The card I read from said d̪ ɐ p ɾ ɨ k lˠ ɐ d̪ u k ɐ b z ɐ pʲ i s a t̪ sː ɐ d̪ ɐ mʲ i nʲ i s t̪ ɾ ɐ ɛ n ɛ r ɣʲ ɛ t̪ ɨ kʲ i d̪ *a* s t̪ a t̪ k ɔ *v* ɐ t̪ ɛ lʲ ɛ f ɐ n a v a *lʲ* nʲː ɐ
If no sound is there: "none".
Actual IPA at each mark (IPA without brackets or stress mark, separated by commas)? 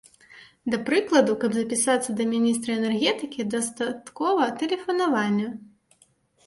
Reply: ɐ, v, none